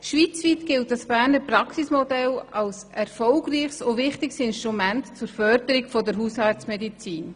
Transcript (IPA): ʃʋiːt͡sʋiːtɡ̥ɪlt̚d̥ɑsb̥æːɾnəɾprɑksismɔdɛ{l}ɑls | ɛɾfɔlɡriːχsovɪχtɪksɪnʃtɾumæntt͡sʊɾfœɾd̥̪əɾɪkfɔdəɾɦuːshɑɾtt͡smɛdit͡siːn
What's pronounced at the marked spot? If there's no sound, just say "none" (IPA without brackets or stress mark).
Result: l